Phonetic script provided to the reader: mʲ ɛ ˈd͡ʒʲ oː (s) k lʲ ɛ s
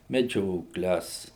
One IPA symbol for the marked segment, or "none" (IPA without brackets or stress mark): none